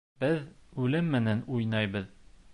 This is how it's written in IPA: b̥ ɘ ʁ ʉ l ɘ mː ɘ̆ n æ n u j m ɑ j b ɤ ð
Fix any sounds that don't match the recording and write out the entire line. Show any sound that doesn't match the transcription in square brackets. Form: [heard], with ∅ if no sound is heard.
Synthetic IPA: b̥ ɘ [ð] ʉ l ɘ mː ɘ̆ n æ n u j [n] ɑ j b ɤ ð